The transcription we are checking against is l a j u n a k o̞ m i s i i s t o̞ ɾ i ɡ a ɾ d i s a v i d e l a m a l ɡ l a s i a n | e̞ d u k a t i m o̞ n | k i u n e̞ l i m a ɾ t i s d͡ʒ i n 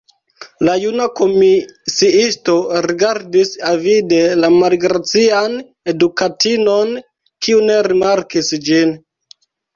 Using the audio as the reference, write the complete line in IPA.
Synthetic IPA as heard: l a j u n a k o̞ m i s i i s t o̞ ɾ i ɡ a ɾ d i s a v i d e l a m a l ɡ ɾ a t͡s i a n | e̞ d u k a t i n o̞ n | k i u n e̞ ɾ i m a ɾ k i s d͡ʒ i n